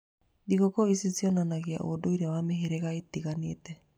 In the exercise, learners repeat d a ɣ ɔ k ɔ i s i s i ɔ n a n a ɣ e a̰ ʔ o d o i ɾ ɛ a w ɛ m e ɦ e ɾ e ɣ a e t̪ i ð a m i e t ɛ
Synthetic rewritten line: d i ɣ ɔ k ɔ i s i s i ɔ n a n a ɣ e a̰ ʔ o d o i ɾ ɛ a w a m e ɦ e ɾ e ɣ a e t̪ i ɣ a n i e t ɛ